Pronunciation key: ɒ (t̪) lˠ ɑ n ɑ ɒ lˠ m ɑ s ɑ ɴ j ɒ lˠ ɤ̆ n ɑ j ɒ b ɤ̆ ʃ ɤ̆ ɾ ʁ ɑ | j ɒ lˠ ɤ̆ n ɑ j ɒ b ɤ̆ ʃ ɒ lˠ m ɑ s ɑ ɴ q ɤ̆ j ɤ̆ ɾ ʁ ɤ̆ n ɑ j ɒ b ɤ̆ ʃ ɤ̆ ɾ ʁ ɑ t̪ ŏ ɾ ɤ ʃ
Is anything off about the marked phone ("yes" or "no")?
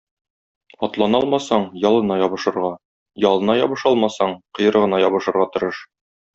no